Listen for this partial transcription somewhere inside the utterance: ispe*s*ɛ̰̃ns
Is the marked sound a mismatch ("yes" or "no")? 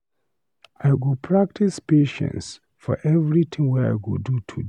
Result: yes